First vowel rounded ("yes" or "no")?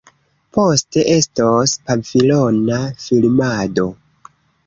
yes